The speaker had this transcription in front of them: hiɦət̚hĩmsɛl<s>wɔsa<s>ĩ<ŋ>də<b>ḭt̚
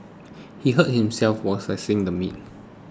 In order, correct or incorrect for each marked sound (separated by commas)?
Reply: incorrect, correct, correct, incorrect